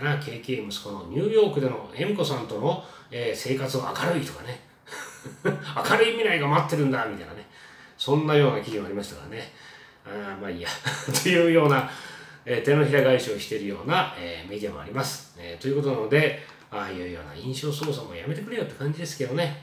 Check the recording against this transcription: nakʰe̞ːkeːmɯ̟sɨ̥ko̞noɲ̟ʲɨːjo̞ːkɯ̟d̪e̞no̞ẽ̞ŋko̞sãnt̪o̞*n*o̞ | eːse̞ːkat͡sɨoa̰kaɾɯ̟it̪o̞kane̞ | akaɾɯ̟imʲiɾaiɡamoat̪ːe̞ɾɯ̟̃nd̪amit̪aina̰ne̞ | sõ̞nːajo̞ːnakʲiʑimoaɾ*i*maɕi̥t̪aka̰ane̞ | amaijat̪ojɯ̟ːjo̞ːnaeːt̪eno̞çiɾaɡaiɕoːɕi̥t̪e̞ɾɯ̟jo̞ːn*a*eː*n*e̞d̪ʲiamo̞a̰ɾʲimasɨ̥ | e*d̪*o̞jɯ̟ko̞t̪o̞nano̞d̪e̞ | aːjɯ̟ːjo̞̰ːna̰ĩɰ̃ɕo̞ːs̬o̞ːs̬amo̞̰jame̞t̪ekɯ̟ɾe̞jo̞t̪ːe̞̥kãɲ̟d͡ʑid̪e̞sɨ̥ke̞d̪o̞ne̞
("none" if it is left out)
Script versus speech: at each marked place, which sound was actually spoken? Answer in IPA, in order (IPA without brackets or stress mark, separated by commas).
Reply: n, i, a, m, t̪